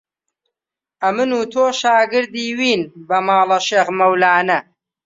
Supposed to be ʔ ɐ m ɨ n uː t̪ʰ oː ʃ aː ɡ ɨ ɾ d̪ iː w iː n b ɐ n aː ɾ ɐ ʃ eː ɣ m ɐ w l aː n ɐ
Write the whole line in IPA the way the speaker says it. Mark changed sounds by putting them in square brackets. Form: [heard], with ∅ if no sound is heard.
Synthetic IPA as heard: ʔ ɐ m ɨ n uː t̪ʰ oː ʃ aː ɡ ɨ ɾ d̪ iː w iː n b ɐ [m] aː [l] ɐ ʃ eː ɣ m ɐ w l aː n ɐ